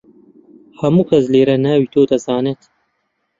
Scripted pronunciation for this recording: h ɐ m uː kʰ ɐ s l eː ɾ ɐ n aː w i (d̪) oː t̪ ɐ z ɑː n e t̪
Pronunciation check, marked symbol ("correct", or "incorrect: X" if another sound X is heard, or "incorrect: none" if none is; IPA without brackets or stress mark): incorrect: t̪